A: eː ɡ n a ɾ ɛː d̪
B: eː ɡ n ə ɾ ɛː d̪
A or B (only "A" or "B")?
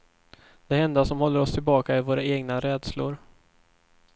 A